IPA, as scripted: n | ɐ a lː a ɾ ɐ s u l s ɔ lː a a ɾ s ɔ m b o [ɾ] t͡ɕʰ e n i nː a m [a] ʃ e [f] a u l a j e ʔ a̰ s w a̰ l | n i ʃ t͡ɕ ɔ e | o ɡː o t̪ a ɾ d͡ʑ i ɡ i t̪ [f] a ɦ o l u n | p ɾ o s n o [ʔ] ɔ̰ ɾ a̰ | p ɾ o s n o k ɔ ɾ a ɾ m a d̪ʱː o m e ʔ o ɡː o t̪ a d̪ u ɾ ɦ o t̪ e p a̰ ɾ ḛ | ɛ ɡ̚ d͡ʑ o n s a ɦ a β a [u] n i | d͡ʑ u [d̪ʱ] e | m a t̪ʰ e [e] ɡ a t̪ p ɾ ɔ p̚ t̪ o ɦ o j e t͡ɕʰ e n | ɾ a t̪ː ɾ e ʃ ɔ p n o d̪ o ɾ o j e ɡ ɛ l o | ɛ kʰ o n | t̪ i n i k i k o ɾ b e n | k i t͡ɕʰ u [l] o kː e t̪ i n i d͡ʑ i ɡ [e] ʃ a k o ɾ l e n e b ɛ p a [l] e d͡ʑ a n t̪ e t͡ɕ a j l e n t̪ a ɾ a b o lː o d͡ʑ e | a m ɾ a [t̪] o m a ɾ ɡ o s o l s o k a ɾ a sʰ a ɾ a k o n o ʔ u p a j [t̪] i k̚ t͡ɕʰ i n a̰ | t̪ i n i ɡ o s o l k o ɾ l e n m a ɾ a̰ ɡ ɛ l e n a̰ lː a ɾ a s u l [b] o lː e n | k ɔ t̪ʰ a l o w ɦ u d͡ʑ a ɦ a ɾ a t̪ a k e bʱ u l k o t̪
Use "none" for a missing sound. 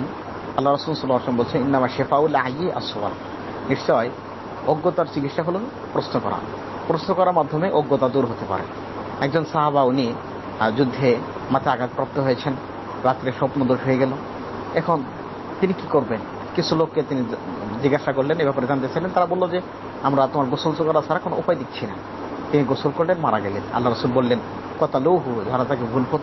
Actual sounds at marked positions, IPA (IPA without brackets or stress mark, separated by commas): l, a, f, ʃ, k, u, d̪ʱː, a, l, a, ɾ, t̪, d̪, b